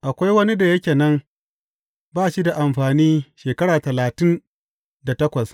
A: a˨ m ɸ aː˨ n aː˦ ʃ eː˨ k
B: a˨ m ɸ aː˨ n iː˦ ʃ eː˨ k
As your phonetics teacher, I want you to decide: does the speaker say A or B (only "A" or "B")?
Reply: B